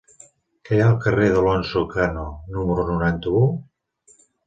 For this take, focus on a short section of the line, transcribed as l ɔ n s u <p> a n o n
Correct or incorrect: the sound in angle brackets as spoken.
incorrect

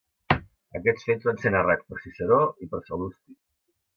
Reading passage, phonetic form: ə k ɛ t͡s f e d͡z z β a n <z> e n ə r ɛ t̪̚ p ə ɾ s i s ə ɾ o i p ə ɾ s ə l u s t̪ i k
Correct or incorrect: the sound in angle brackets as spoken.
incorrect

